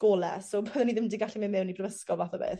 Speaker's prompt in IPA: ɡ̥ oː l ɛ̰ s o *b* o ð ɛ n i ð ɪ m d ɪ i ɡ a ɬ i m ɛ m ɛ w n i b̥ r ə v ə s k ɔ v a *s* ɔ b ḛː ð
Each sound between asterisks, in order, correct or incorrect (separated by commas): correct, incorrect